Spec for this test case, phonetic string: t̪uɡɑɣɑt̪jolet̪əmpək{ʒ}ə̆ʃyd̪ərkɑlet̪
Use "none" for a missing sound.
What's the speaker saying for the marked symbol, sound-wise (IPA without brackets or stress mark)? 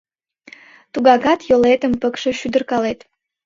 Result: ʃ